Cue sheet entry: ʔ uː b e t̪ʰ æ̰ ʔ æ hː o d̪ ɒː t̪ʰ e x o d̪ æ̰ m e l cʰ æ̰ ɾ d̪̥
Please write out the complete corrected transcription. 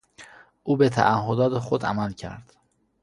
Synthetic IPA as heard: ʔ uː b e t̪ʰ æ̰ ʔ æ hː o d̪ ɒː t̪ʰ e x o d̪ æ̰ m æ l cʰ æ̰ ɾ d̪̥

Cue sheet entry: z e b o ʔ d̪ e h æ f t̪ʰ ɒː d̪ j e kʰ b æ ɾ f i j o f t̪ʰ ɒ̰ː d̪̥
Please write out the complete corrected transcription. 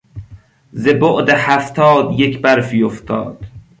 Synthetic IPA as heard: z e b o ʔ d̪ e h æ f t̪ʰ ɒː d̪ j e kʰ b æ ɾ f i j o f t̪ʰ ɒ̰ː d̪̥

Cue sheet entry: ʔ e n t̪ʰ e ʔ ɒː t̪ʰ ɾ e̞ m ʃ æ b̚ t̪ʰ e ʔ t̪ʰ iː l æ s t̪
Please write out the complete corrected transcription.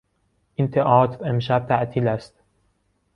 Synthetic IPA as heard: ʔ i n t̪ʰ e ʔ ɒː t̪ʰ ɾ e̞ m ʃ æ b̚ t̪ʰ æ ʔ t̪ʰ iː l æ s t̪

